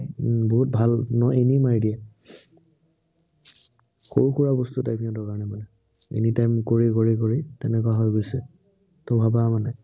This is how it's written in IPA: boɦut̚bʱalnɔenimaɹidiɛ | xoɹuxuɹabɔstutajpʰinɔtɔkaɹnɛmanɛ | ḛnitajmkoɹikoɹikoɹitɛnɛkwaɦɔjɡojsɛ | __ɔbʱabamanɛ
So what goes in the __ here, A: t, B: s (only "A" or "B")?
A